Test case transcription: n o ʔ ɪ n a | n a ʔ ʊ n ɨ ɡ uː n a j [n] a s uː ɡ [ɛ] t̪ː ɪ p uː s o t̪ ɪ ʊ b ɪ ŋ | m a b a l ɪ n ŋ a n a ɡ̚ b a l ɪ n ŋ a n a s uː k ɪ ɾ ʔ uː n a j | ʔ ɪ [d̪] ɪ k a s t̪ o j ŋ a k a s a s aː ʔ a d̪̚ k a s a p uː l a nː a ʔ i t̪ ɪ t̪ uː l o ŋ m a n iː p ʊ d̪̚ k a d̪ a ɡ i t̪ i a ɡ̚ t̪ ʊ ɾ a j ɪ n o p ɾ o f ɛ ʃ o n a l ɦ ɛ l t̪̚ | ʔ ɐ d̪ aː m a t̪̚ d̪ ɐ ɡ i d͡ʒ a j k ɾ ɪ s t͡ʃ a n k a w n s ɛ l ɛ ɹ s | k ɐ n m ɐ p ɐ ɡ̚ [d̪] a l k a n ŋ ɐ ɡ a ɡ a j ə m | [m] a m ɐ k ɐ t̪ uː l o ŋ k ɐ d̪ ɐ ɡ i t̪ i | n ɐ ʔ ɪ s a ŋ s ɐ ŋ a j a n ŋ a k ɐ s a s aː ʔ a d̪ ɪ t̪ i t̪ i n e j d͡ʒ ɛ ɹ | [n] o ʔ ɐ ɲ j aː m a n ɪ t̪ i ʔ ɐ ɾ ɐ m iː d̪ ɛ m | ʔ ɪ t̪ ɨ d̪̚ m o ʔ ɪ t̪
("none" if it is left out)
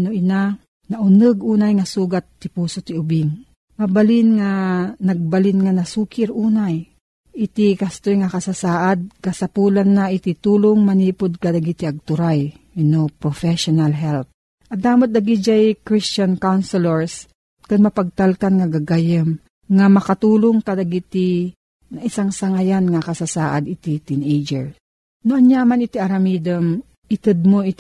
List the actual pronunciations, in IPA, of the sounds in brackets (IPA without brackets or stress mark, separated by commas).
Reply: ŋ, a, t̪, t̪, ŋ, n